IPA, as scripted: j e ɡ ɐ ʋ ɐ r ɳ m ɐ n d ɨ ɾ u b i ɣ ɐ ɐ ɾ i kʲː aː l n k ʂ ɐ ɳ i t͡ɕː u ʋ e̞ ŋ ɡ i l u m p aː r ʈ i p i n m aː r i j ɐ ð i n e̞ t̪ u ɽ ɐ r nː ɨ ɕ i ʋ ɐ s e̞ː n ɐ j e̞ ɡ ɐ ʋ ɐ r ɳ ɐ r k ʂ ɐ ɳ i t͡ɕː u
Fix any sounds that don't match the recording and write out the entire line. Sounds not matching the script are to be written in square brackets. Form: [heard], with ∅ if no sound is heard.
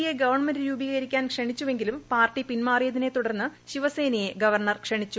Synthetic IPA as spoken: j e ɡ ɐ ʋ ɐ r ɳ m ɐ n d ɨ ɾ [uː] b i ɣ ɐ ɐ ɾ i kʲː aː [∅] n k ʂ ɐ ɳ i t͡ɕː u ʋ e̞ ŋ ɡ i l u m p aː r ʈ i p i n m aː r i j ɐ ð i n e̞ t̪ u ɽ ɐ r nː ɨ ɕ i ʋ ɐ s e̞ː n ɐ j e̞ ɡ ɐ ʋ ɐ r ɳ ɐ r k ʂ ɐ ɳ i t͡ɕː u